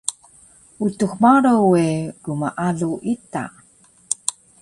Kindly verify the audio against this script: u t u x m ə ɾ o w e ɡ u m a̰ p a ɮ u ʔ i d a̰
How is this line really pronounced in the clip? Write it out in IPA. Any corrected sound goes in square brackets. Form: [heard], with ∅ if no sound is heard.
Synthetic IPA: u t u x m [a] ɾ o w e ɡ u m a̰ [ʔ] a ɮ u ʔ i [t] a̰